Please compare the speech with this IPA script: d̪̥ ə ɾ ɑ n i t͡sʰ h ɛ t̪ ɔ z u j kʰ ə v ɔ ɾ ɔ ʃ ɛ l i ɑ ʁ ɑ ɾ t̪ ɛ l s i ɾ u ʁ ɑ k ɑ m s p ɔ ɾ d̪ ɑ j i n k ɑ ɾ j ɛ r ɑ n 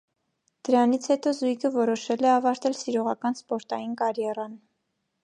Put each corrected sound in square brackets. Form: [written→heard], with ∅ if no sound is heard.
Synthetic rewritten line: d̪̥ ə ɾ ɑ n i t͡sʰ h ɛ t̪ ɔ z u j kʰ ə v ɔ ɾ ɔ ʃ ɛ l [i→ɛ] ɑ [ʁ→v] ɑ ɾ t̪ ɛ l s i ɾ [u→ɔ] ʁ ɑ k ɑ [m→n] s p ɔ ɾ [d̪→t̪] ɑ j i n k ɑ ɾ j ɛ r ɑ n